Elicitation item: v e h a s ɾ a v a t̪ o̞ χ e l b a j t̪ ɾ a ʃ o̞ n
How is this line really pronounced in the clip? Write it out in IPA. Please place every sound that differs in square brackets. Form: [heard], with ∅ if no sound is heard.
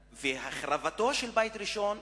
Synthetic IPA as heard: v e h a [χ] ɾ a v a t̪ o̞ [ʃ] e l b a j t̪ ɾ [i] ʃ o̞ n